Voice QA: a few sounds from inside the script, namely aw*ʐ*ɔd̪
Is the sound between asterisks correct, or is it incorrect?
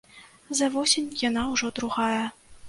correct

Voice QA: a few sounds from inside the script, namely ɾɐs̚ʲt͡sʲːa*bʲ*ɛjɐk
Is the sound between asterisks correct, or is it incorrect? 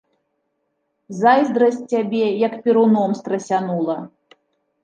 correct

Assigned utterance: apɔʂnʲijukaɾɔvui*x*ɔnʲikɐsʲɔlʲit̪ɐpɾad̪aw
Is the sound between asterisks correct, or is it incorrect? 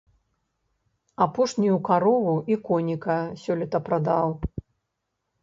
incorrect: k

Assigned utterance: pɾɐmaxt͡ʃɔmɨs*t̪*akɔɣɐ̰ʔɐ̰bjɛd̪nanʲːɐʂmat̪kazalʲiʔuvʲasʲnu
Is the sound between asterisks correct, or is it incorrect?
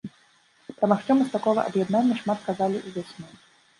correct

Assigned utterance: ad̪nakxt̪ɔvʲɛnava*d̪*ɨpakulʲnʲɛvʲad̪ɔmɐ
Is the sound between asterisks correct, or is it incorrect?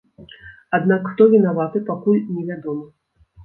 incorrect: t̪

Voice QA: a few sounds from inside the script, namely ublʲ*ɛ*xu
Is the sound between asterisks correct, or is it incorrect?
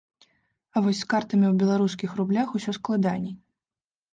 incorrect: a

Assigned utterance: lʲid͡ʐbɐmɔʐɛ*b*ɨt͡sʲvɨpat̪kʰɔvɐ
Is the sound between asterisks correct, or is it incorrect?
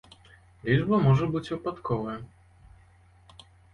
correct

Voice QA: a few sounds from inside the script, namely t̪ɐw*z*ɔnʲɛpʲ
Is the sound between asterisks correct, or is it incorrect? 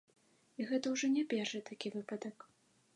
incorrect: ʐ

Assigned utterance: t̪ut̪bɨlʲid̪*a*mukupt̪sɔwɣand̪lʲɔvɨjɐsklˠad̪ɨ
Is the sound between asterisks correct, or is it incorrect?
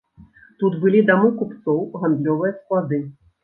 correct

